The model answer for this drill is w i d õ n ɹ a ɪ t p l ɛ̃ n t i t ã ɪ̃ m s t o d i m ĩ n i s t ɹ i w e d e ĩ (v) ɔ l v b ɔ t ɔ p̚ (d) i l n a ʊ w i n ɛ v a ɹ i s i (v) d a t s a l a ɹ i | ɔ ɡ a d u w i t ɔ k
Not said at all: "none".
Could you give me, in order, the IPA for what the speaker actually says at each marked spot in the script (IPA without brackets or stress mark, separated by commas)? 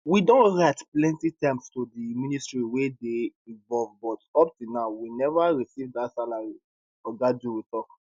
v, t, v